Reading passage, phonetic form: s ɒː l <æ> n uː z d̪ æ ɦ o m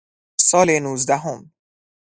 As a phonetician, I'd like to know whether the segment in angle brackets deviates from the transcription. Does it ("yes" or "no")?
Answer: yes